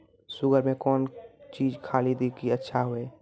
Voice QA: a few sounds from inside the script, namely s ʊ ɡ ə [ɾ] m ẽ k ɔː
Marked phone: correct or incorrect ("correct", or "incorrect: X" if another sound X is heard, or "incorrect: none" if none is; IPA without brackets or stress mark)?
correct